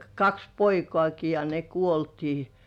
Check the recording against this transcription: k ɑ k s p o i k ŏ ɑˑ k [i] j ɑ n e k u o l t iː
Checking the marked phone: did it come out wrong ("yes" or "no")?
no